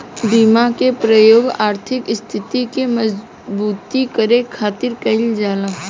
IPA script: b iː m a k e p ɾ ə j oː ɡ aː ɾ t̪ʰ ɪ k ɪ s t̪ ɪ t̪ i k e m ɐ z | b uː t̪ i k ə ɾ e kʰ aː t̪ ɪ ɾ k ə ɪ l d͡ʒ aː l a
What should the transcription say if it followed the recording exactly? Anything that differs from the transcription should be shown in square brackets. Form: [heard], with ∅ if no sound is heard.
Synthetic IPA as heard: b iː m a k e p ɾ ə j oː ɡ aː ɾ t̪ʰ ɪ k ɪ s [t̪ʰ] ɪ t̪ i k e m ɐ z | b uː t̪ i k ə ɾ e kʰ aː t̪ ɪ ɾ k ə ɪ l d͡ʒ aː l a